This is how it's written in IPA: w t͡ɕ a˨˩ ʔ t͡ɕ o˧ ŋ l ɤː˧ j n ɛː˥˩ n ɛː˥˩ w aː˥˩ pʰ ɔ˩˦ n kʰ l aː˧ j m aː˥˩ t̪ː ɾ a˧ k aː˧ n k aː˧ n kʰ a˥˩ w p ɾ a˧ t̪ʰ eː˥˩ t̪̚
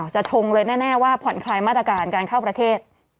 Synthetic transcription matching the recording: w t͡ɕ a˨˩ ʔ t͡ɕʰ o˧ ŋ l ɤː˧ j n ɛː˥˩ n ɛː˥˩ w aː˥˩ pʰ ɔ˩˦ n kʰ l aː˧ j m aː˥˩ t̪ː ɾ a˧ k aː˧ n k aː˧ n kʰ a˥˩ w p ɾ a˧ t̪ʰ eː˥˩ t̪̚